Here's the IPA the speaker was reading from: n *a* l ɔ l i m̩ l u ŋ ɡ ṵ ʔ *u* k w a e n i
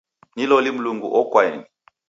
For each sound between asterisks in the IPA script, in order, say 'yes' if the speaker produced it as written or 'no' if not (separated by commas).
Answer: no, no